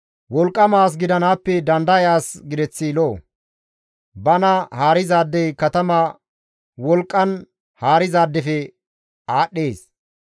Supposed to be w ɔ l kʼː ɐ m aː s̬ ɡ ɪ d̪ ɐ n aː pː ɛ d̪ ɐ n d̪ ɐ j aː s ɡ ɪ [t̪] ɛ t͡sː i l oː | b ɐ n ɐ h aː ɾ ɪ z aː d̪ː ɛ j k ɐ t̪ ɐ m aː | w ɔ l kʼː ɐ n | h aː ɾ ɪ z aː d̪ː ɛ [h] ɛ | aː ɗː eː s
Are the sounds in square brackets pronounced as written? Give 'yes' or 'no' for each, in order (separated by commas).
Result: no, no